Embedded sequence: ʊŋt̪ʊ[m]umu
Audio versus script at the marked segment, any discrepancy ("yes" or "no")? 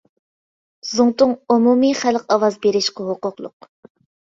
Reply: yes